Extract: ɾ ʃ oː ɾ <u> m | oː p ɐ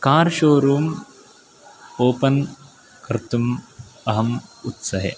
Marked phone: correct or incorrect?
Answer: incorrect